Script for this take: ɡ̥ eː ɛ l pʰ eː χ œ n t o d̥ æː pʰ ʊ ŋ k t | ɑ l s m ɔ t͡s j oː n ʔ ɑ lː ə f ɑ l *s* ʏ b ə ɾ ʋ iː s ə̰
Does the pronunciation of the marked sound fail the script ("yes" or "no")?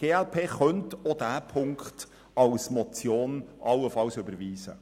no